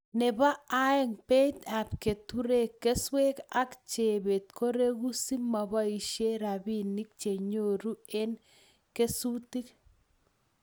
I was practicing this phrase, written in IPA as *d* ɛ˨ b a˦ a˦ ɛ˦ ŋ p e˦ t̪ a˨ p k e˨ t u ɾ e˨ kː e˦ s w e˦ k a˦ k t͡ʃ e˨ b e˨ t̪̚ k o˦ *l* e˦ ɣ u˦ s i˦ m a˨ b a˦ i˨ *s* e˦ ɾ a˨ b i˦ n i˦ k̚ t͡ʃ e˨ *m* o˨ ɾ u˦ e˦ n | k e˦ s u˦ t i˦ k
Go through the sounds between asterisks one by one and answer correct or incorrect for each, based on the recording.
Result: incorrect: n, incorrect: ɾ, incorrect: ʃ, incorrect: ɲ

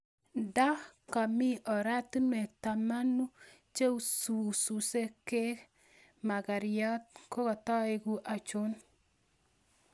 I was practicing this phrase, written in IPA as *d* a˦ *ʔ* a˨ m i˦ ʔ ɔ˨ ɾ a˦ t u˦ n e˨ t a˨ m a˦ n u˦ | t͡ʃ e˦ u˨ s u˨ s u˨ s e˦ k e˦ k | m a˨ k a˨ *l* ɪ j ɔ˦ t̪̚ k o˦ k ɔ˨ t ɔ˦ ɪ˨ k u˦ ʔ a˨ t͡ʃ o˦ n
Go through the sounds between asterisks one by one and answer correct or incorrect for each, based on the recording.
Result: correct, incorrect: k, incorrect: ɾ

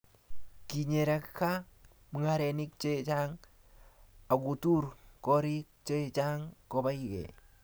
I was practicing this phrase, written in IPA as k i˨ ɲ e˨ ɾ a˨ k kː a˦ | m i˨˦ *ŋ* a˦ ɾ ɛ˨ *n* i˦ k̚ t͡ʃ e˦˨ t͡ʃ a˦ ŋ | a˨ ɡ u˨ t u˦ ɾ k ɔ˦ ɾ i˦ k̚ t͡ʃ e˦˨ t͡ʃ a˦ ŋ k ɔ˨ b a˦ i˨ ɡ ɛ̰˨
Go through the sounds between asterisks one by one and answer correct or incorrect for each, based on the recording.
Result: correct, correct

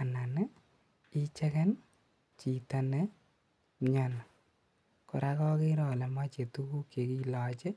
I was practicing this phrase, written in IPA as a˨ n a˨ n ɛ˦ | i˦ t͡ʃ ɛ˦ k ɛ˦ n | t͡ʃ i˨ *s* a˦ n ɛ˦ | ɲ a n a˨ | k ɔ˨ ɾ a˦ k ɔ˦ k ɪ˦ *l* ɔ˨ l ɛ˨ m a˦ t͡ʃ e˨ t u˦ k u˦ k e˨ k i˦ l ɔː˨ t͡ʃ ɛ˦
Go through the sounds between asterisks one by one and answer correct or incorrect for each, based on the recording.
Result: incorrect: t, incorrect: ɾ

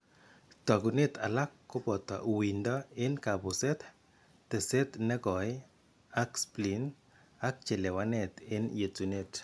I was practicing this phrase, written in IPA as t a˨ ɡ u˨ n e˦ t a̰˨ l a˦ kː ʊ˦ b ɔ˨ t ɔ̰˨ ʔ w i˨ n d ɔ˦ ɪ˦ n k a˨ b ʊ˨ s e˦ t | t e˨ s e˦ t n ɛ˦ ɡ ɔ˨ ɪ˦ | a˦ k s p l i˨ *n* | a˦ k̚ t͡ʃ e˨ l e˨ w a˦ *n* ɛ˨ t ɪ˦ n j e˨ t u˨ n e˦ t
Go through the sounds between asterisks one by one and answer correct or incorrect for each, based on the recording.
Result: correct, correct

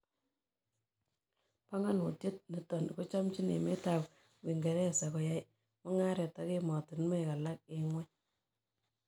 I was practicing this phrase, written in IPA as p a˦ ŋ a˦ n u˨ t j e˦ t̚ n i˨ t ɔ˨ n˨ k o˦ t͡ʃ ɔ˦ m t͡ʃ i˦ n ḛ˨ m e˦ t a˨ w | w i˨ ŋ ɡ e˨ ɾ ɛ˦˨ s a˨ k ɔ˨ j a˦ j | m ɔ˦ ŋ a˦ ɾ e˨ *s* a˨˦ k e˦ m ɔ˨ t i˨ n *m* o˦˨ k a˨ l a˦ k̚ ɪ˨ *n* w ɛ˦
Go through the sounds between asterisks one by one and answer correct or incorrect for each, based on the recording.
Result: incorrect: t, correct, incorrect: ŋ

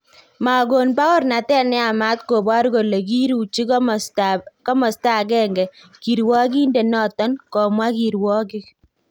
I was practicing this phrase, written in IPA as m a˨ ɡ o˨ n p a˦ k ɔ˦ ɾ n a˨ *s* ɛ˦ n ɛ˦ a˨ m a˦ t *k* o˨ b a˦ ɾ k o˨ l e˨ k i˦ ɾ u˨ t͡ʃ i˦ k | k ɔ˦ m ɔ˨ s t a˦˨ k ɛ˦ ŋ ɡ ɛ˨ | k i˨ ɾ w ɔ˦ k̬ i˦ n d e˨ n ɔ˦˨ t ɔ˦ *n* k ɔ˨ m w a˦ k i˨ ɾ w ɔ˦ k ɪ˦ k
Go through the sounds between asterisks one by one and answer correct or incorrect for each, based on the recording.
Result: incorrect: t, correct, correct

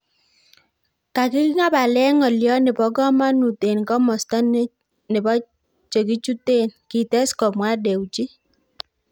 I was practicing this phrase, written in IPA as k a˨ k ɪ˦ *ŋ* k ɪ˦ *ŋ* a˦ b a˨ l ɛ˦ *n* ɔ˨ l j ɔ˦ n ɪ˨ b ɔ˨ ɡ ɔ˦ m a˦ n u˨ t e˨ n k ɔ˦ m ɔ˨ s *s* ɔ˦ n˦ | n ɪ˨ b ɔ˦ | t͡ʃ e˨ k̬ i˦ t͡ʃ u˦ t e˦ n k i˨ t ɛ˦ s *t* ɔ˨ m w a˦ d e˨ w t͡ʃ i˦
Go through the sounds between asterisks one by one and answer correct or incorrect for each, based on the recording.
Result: incorrect: none, correct, incorrect: ŋ, incorrect: t, incorrect: k

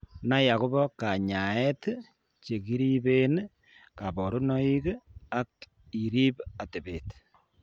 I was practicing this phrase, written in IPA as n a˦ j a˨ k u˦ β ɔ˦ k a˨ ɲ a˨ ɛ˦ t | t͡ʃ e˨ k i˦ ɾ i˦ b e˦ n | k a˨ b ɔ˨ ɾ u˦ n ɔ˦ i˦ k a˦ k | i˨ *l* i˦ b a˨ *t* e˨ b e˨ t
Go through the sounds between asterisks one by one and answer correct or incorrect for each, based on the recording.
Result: incorrect: ɾ, correct

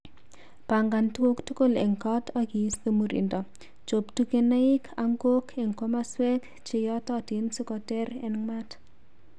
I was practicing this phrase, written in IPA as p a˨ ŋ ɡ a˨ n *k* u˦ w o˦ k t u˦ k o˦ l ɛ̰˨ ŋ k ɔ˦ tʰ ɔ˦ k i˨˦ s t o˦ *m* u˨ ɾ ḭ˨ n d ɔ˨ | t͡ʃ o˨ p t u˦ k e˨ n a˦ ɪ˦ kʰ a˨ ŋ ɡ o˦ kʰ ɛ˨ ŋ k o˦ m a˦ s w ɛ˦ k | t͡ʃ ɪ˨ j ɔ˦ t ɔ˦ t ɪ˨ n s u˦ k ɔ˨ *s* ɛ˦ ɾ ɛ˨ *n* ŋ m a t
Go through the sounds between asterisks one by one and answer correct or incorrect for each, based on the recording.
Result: incorrect: t, correct, incorrect: t, correct

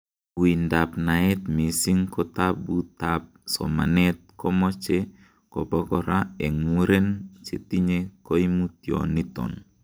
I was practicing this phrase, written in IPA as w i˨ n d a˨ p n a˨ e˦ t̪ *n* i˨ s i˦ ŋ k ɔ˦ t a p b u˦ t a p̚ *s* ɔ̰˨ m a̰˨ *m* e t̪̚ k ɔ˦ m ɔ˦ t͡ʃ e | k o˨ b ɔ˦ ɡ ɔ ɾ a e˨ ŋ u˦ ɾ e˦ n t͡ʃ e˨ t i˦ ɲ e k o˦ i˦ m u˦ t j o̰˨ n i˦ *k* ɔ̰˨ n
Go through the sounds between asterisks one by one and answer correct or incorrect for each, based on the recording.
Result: incorrect: m, correct, incorrect: n, incorrect: t

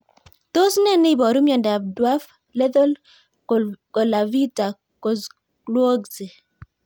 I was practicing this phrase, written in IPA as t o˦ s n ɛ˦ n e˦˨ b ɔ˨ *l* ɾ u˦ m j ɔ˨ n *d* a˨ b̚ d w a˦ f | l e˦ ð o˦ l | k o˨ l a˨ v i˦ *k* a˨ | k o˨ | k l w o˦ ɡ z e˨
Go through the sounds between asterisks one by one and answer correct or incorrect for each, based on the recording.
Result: incorrect: none, correct, incorrect: t

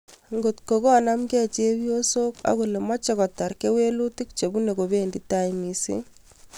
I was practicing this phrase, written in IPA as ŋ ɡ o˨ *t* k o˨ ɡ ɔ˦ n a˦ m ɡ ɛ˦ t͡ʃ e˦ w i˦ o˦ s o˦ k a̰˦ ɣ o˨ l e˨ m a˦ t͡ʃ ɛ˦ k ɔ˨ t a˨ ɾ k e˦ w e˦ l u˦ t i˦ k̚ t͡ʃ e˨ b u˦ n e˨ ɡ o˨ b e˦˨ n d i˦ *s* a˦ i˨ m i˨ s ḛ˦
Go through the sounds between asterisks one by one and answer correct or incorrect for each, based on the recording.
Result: correct, incorrect: t

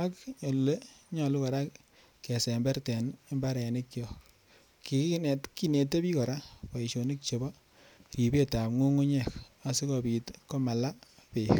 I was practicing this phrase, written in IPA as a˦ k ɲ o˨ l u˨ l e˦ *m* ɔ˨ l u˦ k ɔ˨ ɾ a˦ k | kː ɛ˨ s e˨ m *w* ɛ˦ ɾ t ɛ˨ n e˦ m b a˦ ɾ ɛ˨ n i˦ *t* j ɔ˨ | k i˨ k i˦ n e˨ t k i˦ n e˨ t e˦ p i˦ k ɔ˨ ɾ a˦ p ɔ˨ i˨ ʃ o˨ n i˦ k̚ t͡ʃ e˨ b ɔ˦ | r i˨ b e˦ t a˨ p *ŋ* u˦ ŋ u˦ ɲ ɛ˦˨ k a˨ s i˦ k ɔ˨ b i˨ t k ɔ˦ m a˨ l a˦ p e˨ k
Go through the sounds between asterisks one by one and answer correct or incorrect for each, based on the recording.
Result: incorrect: ɲ, incorrect: b, incorrect: k, correct

